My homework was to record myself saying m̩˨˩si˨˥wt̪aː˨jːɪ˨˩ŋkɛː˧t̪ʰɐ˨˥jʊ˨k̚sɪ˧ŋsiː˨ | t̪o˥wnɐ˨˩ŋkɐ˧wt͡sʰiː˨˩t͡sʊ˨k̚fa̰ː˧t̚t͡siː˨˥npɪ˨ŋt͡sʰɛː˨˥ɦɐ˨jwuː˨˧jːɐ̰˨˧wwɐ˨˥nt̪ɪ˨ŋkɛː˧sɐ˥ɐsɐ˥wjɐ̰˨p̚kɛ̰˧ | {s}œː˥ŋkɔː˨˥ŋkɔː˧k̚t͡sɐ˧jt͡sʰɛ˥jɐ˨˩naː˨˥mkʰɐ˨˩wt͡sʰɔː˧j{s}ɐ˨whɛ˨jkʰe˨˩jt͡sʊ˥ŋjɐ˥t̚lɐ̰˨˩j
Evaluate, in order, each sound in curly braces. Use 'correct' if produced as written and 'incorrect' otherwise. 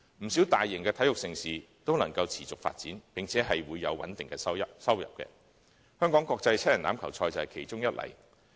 incorrect, incorrect

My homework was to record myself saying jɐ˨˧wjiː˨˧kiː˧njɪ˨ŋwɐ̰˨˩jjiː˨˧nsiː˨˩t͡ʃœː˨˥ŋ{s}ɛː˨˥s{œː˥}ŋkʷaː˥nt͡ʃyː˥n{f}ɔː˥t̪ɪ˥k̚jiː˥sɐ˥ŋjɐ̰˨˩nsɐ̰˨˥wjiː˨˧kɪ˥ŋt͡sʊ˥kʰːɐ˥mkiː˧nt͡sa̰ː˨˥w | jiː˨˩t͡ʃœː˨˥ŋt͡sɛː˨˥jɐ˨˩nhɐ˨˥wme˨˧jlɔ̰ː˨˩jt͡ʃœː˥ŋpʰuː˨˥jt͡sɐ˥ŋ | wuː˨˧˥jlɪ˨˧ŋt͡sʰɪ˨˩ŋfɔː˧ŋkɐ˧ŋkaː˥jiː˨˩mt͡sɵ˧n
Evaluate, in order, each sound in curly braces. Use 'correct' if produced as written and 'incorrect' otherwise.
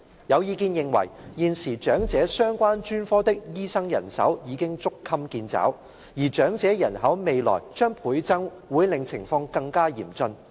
incorrect, correct, correct

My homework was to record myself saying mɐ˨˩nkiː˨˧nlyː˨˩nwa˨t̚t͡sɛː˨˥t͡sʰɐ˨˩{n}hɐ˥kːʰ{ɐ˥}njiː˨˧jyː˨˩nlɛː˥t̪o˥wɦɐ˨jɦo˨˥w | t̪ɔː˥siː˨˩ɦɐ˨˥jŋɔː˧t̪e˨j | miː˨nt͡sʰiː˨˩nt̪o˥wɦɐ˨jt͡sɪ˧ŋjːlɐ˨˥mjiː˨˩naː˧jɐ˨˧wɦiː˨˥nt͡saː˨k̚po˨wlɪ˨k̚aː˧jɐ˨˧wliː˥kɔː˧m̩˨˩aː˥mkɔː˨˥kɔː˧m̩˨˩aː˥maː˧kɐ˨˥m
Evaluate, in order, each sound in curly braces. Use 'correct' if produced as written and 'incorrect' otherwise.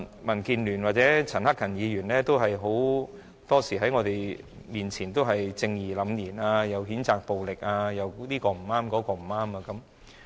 correct, incorrect

